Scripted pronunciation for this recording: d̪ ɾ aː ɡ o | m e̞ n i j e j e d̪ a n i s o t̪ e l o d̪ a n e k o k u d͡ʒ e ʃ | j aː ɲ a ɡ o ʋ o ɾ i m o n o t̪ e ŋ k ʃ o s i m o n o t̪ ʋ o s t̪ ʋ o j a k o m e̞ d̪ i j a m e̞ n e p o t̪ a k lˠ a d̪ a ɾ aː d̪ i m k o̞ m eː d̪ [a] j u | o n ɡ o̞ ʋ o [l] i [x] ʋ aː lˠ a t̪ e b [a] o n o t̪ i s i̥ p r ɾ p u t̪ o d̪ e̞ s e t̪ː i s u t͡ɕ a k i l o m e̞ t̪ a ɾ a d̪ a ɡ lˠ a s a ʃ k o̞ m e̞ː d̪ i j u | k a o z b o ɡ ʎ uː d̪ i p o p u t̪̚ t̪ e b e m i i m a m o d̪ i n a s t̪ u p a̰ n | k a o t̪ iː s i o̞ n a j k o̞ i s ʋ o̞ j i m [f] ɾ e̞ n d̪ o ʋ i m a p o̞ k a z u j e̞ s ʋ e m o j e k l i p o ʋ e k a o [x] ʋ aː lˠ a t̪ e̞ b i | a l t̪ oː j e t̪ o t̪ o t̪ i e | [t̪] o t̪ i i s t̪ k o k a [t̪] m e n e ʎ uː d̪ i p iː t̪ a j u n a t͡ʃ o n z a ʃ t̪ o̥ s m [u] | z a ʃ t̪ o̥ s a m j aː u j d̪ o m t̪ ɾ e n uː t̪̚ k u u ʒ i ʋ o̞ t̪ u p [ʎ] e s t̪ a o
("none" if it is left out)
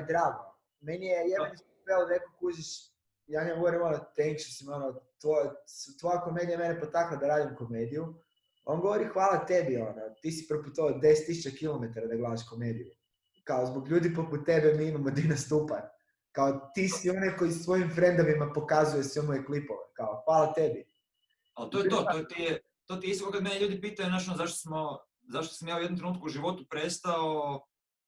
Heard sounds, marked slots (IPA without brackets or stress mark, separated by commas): i, ɾ, x, i, f, x, t̪, d̪, o, ɾ